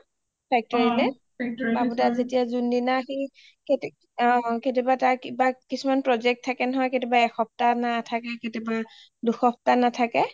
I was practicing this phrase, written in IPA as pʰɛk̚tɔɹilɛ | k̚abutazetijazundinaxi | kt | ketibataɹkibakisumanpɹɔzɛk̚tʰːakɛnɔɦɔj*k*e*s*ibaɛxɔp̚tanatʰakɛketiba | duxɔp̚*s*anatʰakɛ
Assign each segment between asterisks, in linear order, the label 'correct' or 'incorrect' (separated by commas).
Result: correct, incorrect, incorrect